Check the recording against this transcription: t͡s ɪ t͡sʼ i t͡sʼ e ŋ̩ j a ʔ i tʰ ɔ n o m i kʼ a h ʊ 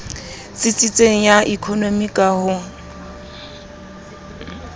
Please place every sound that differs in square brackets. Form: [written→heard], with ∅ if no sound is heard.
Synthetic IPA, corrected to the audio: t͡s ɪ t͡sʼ i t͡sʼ e ŋ̩ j a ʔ i [tʰ→kʰ] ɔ n o m i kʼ a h ʊ